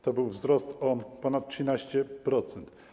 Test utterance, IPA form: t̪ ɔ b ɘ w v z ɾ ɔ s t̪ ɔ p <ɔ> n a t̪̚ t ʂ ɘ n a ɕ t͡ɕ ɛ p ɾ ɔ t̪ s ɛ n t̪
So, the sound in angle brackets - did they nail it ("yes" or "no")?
yes